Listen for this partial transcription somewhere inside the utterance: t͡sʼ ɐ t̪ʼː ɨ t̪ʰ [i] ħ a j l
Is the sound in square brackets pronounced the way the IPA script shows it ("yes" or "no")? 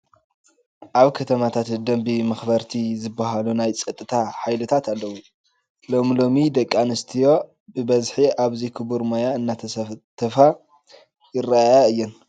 no